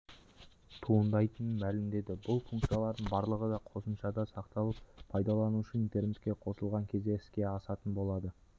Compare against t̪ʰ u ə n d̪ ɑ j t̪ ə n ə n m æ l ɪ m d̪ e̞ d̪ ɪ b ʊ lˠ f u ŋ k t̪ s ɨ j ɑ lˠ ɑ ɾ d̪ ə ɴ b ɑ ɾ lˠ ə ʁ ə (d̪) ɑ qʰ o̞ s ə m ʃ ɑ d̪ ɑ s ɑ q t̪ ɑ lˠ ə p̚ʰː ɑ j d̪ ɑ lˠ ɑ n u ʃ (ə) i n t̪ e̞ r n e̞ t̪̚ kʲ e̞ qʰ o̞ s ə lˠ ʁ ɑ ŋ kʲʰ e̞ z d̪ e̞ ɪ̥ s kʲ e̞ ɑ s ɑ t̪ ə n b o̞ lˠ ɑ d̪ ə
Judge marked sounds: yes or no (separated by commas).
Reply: yes, yes